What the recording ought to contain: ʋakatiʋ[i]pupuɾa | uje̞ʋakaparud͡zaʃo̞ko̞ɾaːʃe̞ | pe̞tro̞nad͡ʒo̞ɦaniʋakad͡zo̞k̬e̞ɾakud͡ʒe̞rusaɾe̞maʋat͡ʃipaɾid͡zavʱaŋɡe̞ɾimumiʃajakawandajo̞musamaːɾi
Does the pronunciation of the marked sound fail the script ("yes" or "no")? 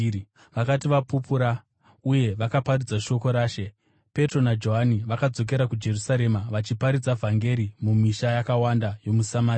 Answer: yes